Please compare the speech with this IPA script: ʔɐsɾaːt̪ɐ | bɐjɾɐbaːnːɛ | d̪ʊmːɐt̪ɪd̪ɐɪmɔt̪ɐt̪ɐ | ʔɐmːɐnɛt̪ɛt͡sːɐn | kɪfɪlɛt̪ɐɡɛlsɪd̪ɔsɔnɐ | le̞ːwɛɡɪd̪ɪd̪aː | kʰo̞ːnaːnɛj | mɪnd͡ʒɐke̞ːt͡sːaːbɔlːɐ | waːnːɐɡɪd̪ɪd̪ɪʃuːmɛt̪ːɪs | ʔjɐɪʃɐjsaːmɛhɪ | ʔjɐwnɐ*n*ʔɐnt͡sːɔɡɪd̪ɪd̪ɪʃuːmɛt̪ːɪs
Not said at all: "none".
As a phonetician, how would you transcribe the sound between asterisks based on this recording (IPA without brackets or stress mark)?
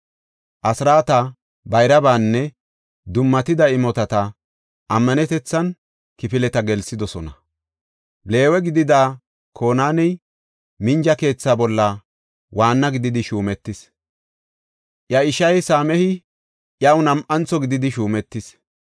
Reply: m